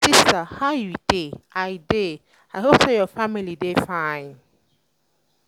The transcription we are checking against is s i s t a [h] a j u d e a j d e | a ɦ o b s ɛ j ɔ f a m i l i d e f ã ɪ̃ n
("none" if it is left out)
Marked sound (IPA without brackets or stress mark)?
h